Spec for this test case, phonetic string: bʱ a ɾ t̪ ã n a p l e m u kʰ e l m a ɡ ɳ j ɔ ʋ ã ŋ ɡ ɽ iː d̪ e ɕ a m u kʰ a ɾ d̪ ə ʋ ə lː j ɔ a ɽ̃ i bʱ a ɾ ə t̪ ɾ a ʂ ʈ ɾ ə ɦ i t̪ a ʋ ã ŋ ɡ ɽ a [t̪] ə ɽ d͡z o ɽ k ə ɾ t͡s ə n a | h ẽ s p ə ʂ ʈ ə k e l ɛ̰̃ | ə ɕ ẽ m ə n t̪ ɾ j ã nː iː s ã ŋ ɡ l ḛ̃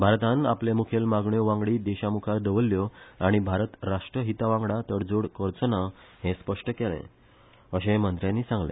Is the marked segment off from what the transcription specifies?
no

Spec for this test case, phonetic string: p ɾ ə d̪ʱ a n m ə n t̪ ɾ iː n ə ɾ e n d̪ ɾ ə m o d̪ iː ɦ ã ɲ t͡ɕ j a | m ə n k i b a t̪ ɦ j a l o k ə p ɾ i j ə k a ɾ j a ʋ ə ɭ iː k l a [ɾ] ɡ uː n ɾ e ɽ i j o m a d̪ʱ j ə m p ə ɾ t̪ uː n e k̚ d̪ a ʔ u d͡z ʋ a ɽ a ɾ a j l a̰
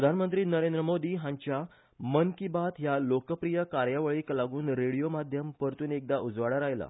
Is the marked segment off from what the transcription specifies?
yes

